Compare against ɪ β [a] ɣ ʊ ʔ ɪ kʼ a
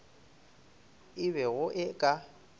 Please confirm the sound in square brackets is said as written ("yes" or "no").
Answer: no